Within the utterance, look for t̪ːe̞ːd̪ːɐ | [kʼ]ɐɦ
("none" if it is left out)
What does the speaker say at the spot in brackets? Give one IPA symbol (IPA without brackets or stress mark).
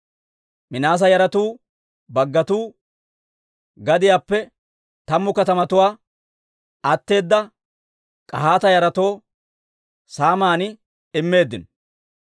kʼ